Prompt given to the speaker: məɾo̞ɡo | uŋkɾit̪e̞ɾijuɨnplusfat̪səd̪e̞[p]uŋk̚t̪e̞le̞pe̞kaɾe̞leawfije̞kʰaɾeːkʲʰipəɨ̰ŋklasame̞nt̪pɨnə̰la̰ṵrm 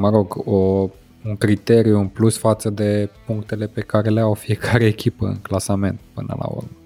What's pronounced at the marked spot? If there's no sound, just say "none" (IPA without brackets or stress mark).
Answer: p